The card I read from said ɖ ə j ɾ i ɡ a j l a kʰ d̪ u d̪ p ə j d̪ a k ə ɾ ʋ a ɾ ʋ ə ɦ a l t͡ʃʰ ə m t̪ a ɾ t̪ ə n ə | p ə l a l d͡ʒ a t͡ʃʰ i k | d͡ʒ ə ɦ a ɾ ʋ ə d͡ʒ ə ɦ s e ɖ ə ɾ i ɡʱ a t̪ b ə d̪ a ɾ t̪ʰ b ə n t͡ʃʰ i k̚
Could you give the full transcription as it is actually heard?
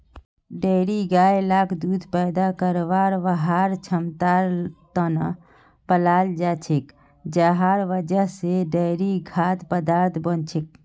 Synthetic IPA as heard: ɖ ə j ɾ i ɡ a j l a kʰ d̪ u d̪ p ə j d̪ a k ə ɾ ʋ a ɾ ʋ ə ɦ a ɾ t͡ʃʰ ə m t̪ a ɾ t̪ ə n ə | p ə l a l d͡ʒ a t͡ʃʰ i k | d͡ʒ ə ɦ a ɾ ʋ ə d͡ʒ ə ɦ s e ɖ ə ɾ i ɡʱ a t̪ p ə d̪ a ɾ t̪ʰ b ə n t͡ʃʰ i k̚